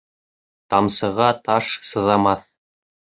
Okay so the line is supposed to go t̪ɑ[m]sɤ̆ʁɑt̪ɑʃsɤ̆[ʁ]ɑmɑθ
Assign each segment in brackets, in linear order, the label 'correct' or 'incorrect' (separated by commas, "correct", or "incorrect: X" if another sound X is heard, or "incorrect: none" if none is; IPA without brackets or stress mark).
correct, incorrect: ð